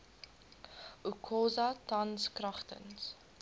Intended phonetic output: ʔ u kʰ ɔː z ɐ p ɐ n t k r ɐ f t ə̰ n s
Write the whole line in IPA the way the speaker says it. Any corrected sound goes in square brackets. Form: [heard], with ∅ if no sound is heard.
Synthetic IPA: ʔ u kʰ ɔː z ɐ [t] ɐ n [s] k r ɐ [χ] t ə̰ n s